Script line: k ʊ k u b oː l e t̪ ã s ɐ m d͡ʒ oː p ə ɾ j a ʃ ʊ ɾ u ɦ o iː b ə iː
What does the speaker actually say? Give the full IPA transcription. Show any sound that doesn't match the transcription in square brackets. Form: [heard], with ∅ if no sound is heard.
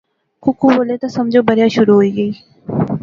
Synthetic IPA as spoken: k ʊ k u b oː l e t̪ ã s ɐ m d͡ʒ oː [b] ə ɾ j a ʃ ʊ ɾ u ɦ o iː [ɡ] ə iː